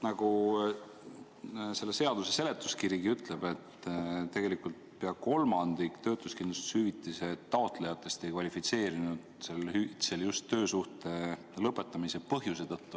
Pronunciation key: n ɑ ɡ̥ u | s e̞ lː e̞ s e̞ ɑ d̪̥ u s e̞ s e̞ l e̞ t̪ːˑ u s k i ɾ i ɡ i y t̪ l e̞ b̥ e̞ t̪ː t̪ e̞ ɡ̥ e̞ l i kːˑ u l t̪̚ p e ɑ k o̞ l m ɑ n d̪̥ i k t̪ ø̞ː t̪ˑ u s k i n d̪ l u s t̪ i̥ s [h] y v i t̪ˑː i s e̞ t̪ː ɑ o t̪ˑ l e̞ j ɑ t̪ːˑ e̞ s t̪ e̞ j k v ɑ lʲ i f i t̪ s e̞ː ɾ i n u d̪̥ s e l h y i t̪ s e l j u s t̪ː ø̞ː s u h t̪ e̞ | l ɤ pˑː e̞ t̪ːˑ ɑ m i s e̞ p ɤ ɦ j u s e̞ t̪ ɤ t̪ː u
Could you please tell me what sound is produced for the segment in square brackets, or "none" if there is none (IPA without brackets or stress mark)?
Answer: h